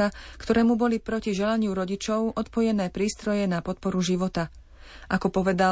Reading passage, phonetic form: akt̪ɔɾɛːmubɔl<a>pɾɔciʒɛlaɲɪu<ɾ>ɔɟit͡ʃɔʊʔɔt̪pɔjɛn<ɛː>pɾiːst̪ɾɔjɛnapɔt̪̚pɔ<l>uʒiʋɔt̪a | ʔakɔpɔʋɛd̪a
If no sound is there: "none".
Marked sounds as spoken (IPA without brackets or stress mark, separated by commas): i, ɾ, ɛː, ɾ